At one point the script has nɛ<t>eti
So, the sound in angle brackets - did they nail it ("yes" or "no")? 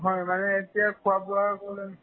no